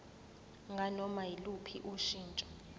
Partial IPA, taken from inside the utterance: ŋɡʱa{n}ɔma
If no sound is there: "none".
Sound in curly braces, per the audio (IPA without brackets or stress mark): n